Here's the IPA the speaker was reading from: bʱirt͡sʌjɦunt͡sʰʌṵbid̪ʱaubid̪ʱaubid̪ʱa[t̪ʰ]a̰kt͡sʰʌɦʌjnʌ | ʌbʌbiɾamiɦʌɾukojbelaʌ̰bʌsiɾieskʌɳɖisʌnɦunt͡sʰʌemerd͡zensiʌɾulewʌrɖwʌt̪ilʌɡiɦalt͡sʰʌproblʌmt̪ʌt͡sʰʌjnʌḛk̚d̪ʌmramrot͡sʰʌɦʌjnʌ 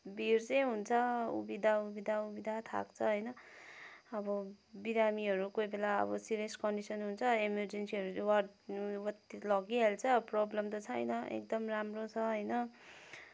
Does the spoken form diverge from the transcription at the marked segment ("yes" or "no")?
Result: no